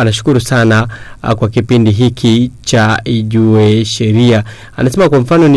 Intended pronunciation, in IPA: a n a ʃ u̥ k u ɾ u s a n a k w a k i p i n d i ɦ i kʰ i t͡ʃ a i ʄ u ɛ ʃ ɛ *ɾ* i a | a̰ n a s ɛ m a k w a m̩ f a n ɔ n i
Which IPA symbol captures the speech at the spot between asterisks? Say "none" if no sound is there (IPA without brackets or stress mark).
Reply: ɾ